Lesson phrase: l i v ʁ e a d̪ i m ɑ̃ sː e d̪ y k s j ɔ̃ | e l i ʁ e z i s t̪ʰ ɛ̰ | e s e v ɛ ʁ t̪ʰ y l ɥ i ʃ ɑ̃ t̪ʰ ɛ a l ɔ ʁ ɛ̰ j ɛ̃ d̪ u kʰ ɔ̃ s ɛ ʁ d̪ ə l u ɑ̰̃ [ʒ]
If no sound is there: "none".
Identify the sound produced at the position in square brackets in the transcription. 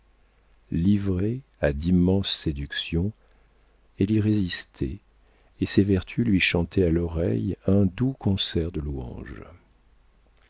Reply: ʒ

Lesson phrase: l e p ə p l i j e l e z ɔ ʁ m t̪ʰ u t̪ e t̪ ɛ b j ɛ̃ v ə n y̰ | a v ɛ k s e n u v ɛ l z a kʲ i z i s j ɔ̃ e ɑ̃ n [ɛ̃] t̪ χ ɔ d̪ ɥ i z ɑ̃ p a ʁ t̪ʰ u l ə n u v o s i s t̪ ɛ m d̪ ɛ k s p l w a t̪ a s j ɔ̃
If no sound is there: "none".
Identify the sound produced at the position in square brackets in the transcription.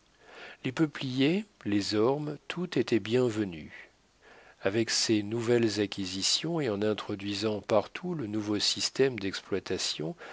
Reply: ɛ̃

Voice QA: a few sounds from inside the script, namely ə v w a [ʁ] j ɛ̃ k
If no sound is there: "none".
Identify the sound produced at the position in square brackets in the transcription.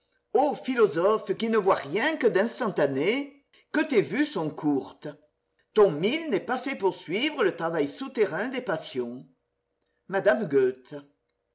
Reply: ʁ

